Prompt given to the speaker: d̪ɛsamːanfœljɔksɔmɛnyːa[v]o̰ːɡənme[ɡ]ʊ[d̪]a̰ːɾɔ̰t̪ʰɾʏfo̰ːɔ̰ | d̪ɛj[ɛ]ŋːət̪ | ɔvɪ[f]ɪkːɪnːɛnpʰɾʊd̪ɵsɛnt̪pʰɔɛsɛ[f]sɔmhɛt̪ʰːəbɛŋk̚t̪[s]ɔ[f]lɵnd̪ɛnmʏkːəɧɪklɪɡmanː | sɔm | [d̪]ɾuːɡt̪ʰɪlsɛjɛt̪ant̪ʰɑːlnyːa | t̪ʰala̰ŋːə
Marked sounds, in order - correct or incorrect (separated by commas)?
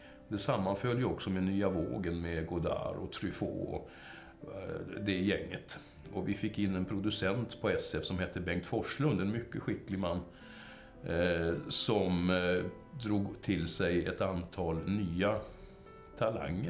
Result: correct, correct, correct, correct, correct, correct, incorrect, incorrect, correct